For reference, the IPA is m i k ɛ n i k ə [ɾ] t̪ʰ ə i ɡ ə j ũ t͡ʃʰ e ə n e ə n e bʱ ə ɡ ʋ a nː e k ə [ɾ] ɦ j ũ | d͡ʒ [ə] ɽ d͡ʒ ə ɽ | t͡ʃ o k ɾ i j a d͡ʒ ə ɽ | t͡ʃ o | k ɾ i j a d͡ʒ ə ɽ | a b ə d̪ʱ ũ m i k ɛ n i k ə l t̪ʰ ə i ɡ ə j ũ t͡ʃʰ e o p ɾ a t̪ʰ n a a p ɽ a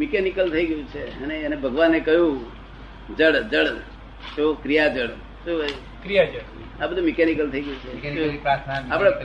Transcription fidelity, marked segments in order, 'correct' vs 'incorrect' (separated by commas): incorrect, incorrect, correct